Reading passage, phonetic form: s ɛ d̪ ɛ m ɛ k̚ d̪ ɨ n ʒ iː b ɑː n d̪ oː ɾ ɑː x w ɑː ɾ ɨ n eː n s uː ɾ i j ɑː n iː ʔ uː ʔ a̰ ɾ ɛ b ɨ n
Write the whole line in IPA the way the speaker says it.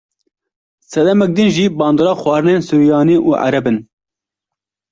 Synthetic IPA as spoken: s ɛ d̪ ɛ m ɛ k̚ d̪ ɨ n ʒ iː b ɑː n d̪ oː ɾ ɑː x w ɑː ɾ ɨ n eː n s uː ɾ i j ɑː n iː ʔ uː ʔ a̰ ɾ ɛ b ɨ n